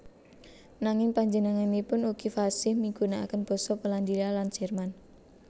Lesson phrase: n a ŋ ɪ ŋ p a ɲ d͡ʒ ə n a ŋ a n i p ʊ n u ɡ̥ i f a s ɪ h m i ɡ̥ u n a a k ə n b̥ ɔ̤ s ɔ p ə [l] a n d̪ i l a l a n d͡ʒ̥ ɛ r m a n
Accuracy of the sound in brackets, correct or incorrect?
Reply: correct